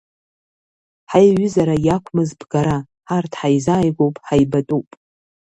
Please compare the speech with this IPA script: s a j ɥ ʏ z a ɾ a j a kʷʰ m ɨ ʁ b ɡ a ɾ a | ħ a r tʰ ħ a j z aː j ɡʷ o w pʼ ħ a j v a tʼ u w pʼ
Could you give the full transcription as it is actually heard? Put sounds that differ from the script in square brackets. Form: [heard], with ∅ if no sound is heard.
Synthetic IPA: [ħ] a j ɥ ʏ z a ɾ a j a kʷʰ m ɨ [z] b ɡ a ɾ a | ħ a r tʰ ħ a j z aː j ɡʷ o w pʼ ħ a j [b] a tʼ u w pʼ